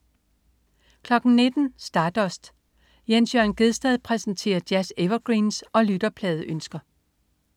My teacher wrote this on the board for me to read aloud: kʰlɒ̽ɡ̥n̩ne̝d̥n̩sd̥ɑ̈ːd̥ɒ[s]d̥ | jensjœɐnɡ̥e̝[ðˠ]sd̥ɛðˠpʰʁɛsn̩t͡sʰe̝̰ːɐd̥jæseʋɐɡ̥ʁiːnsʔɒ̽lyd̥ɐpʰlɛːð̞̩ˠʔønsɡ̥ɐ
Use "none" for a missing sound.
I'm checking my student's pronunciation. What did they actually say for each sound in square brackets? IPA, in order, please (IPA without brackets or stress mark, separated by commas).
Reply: s, ðˠ